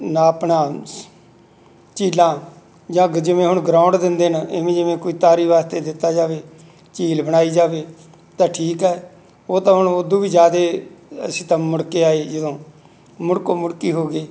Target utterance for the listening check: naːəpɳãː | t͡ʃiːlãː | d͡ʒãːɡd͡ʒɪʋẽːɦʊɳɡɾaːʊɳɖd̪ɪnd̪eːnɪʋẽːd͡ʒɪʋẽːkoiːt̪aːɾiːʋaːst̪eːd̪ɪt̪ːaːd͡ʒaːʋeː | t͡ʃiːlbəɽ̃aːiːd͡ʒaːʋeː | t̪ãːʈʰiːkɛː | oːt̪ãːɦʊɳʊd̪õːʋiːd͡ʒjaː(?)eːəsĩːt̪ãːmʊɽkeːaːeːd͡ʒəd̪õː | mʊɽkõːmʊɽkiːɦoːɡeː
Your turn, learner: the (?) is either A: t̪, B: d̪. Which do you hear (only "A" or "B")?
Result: B